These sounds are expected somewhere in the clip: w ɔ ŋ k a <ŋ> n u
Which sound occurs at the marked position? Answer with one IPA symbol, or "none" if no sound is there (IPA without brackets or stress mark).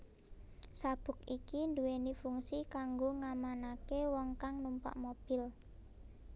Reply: ŋ